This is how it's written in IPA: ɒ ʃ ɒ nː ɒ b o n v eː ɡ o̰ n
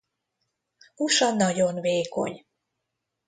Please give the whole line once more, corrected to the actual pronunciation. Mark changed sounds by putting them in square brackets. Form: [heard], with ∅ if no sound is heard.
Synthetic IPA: [u] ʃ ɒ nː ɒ [ɟ] o n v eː [k] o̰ [ɲ]